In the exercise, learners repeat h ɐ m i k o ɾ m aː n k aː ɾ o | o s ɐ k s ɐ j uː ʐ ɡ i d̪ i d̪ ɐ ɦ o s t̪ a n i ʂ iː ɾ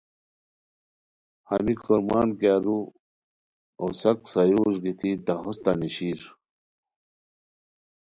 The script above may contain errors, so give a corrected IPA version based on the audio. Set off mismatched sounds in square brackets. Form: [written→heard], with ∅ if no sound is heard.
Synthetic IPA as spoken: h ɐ m i k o ɾ m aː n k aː ɾ [o→u] | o s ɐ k s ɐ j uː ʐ ɡ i [d̪→t̪] i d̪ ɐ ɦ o s t̪ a n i [ʂ→ɕ] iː ɾ

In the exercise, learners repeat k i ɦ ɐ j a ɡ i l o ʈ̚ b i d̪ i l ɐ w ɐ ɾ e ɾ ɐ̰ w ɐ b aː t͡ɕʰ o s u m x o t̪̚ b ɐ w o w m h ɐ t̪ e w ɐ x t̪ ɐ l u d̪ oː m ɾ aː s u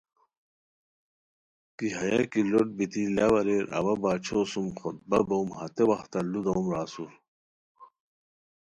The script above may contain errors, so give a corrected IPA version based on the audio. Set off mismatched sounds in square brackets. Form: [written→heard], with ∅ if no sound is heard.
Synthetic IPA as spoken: k i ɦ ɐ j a [ɡ→k] i l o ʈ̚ b i [d̪→t̪] i l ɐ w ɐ ɾ e ɾ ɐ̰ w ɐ b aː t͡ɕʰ o s u m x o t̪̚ b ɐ [w→b] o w m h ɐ t̪ e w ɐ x t̪ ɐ l u d̪ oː m ɾ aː s u

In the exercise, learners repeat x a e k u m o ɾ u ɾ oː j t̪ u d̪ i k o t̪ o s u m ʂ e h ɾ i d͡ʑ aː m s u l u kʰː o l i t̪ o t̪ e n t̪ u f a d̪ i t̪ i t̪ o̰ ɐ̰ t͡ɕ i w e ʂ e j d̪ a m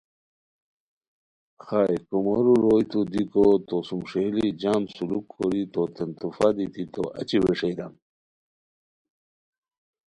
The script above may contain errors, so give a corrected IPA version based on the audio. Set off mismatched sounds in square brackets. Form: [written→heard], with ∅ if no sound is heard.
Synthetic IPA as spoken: x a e k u m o ɾ u ɾ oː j t̪ u d̪ i k o t̪ o s u m ʂ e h [ɾ→l] i d͡ʑ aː m s u l u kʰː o [l→ɾ] i t̪ o t̪ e n t̪ u f a d̪ i t̪ i t̪ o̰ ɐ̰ t͡ɕ i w e ʂ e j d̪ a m

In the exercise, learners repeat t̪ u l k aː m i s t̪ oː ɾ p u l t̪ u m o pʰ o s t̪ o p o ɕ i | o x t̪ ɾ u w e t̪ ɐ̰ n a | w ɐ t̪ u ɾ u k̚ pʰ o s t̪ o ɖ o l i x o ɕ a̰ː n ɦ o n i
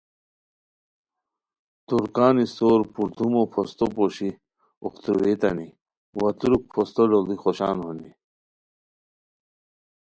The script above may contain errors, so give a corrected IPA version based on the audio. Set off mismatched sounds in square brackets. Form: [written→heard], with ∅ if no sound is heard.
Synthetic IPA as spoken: t̪ u [l→ɾ] k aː [m→n] i s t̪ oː ɾ p u [l→ɾ] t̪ u m o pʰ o s t̪ o p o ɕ i | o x t̪ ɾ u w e t̪ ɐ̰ n [a→i] | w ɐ t̪ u ɾ u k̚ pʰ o s t̪ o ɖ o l i x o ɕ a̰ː n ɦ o n i

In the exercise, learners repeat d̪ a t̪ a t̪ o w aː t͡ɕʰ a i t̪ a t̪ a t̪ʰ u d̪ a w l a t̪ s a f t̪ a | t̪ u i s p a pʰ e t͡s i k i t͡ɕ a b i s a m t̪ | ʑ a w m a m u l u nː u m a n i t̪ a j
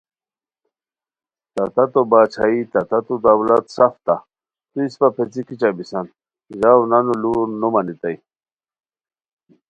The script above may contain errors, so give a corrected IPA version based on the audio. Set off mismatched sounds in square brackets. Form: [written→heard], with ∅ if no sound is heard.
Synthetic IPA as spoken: [d̪→t̪] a t̪ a t̪ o [w→b] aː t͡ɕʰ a i t̪ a t̪ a [t̪ʰ→t̪] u d̪ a w l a t̪ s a f t̪ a | t̪ u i s p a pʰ e t͡s i k i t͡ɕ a b i s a [m→n] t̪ | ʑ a w [m→n] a [m→n] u l u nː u m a n i t̪ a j

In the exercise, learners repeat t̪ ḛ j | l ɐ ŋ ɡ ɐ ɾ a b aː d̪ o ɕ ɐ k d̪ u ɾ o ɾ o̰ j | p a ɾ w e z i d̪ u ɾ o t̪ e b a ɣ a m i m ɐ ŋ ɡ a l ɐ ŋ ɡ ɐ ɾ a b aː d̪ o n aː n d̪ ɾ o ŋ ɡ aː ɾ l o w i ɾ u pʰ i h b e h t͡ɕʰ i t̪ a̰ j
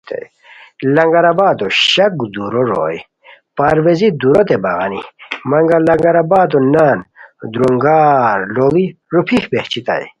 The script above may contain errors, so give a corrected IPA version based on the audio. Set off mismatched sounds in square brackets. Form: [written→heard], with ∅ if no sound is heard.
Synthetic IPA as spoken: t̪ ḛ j | l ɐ ŋ ɡ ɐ ɾ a b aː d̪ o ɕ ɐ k d̪ u ɾ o ɾ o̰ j | p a ɾ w e z i d̪ u ɾ o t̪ e b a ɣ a [m→n] i m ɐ ŋ ɡ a l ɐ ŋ ɡ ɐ ɾ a b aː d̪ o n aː n d̪ ɾ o ŋ ɡ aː ɾ l o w i ɾ u pʰ i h b e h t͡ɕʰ i t̪ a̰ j

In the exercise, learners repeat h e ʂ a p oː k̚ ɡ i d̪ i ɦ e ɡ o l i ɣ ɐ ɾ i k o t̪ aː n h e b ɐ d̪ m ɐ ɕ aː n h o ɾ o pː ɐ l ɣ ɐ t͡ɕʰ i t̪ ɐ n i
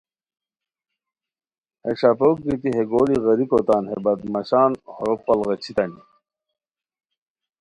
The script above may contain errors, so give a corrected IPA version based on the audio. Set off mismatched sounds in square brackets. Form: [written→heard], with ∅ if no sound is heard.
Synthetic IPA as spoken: h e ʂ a p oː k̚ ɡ i [d̪→t̪] i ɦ e ɡ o l i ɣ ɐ ɾ i k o t̪ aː n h e b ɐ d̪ m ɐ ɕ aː n h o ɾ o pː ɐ l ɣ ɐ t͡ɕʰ i t̪ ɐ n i

